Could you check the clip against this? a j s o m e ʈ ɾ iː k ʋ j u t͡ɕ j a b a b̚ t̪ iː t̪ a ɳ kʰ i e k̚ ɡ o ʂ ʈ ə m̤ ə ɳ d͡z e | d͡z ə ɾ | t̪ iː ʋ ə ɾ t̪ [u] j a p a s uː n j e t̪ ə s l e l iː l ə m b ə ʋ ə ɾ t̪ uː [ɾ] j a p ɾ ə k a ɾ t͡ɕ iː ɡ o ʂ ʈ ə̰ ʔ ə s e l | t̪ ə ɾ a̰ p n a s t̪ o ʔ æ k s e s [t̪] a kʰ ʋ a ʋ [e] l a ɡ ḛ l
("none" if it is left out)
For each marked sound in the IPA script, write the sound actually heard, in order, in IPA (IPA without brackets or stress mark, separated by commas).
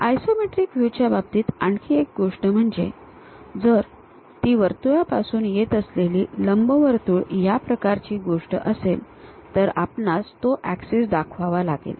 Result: u, ɭ, d̪, a